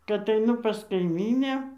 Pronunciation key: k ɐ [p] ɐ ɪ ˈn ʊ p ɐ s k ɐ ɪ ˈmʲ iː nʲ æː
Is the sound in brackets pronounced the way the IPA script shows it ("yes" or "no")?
no